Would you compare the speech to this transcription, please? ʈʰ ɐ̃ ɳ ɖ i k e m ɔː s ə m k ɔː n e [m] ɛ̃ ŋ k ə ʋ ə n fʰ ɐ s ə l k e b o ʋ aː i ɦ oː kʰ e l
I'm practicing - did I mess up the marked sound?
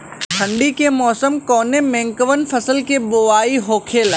no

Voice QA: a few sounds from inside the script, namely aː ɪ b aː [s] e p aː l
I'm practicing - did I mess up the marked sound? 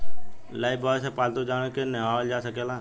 no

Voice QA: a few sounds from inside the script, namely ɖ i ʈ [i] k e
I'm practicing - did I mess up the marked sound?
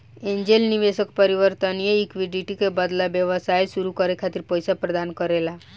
no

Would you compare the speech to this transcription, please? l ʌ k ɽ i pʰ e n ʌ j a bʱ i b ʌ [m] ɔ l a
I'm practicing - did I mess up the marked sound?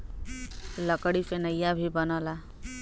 yes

